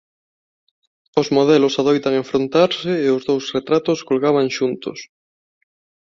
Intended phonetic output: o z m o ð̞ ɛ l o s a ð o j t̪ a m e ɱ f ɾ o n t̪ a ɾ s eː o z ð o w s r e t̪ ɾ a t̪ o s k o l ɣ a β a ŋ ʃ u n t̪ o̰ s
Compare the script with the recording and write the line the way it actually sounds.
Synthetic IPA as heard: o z m o ð̞ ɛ l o s a ð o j t̪ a ŋ e ɱ f ɾ o n t̪ a ɾ s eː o z ð o w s r e t̪ ɾ a t̪ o s k o l ɣ a β a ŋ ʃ u n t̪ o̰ s